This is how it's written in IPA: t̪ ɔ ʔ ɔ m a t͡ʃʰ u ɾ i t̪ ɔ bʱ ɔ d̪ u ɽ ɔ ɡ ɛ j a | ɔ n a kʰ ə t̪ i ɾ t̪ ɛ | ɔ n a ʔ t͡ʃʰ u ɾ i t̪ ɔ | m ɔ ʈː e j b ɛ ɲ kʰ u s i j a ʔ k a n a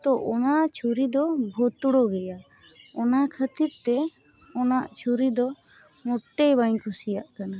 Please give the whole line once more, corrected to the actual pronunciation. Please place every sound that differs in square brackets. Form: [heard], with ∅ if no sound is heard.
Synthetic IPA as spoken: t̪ ɔ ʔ ɔ [n] a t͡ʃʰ u ɾ i [d̪] ɔ bʱ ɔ [t̪] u ɽ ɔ ɡ ɛ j a | ɔ n a kʰ ə t̪ i ɾ t̪ ɛ | ɔ n a ʔ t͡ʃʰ u ɾ i [d̪] ɔ | m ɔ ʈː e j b [a] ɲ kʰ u s i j a ʔ k a n a